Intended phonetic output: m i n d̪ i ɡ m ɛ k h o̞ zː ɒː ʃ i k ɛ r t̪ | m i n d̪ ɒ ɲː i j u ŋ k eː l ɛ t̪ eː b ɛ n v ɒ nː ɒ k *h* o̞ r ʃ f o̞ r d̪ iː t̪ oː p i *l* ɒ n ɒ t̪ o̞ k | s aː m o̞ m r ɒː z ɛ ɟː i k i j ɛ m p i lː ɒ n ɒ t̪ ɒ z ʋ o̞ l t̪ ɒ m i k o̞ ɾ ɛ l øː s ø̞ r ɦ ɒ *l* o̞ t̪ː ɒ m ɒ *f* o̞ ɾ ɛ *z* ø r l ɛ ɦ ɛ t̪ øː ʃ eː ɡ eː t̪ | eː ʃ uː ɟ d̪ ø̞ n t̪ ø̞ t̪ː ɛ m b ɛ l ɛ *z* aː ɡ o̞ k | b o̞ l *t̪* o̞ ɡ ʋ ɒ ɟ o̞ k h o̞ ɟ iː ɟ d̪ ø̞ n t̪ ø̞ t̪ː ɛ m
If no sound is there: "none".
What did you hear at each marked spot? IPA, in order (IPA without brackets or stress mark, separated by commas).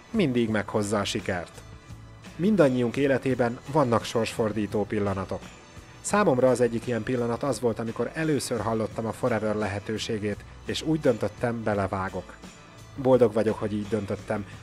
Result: ʃ, lː, lː, f, v, v, d̪